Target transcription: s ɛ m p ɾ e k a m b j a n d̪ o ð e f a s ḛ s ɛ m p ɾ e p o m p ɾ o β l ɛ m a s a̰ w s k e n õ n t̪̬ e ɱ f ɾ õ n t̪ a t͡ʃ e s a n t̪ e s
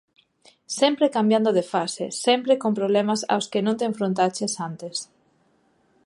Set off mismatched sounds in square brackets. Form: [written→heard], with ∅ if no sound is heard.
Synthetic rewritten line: s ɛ m p ɾ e k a m b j a n d̪ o ð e f a s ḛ s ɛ m p ɾ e [p→k] o m p ɾ o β l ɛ m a s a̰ w s k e n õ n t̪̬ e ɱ f ɾ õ n t̪ a t͡ʃ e s a n t̪ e s